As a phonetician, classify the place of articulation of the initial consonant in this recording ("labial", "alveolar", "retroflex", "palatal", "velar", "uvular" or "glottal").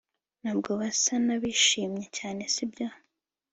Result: alveolar